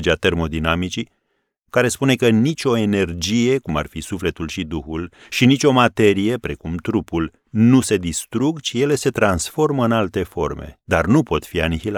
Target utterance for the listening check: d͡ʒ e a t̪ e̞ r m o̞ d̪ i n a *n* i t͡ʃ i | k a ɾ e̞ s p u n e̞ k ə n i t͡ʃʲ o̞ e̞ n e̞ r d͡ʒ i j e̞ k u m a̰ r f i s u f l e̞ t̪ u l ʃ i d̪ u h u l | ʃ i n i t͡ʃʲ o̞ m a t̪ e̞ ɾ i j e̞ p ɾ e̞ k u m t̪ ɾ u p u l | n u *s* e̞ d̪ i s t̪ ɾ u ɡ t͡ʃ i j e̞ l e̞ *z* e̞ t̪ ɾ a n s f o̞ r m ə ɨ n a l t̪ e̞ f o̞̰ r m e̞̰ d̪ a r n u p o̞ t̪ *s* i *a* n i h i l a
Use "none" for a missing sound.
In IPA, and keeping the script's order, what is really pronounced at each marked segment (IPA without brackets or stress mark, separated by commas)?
m, s, s, f, a